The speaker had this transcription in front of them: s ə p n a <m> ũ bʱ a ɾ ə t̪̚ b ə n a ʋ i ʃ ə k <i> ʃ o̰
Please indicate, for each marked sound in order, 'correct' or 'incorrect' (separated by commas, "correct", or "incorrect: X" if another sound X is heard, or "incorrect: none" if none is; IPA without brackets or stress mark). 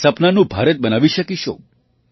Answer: incorrect: n, correct